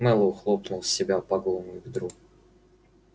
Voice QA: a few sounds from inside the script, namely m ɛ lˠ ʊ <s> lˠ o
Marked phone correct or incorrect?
incorrect